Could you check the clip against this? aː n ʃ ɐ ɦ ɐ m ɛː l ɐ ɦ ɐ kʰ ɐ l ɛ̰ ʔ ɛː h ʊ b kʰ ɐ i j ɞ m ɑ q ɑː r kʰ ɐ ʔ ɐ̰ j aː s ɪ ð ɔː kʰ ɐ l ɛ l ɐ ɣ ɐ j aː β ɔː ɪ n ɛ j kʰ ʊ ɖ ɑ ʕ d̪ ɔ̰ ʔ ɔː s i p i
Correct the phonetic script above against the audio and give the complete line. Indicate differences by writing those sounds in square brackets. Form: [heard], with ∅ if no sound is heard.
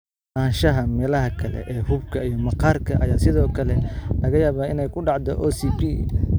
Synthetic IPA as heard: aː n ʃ ɐ ɦ ɐ m ɛː l ɐ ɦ ɐ kʰ ɐ l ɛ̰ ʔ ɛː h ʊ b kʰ ɐ i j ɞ m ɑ q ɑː r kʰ ɐ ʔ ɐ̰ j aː s ɪ ð ɔː kʰ ɐ l ɛ l ɐ ɣ ɐ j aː β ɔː ɪ n ɛ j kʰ ʊ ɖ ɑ ʕ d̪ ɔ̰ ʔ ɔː s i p i